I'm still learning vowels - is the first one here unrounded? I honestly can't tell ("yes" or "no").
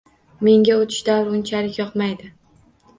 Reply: yes